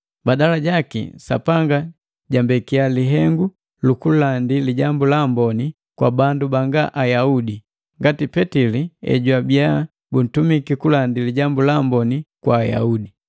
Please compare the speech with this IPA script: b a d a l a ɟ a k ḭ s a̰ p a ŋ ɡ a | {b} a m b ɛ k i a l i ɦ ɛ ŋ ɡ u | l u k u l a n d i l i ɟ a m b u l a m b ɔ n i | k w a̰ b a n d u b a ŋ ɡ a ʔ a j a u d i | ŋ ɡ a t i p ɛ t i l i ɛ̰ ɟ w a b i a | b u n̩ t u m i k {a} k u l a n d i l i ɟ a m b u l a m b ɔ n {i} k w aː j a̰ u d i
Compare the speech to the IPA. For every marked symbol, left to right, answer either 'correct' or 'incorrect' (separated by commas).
incorrect, incorrect, correct